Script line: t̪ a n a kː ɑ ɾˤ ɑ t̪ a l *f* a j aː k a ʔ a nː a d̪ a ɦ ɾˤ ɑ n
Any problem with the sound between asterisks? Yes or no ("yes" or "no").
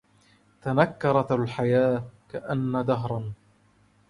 yes